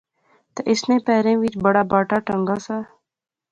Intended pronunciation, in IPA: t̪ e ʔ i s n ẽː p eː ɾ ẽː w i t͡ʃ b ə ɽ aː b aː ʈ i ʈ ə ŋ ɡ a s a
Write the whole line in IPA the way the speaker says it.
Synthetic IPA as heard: t̪ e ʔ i s n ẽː p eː ɾ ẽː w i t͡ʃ b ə ɽ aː b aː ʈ a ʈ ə ŋ ɡ a s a